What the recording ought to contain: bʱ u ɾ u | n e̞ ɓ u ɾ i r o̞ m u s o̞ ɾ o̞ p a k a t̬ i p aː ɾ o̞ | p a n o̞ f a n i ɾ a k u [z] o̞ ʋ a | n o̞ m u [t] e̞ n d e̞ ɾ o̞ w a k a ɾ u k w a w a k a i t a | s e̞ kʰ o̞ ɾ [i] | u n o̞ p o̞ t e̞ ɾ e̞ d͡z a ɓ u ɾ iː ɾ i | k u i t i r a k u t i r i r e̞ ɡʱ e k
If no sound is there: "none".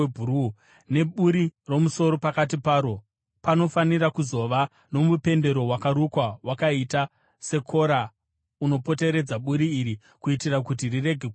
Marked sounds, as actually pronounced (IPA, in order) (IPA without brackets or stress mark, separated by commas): z, p, a